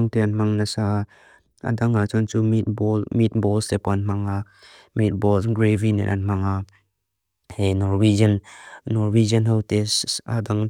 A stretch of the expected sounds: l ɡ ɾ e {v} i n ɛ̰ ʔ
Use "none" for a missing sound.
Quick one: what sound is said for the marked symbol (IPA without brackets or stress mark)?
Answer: v